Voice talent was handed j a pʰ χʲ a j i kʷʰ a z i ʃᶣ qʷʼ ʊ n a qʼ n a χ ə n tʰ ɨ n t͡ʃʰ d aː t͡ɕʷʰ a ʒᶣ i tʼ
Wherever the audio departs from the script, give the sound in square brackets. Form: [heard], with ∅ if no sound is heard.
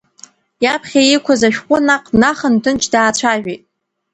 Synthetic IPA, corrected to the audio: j a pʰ χʲ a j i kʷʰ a z [a] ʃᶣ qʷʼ ʊ n a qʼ n a χ ə n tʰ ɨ n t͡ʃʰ d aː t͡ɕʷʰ a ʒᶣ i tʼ